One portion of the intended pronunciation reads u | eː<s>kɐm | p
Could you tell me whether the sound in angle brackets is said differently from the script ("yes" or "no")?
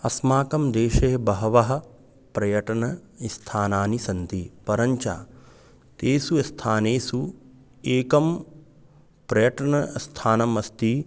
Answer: yes